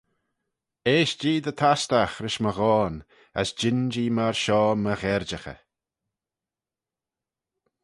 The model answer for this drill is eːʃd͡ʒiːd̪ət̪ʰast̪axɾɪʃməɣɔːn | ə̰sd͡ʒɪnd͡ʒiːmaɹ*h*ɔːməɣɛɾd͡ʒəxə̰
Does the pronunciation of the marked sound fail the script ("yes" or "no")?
yes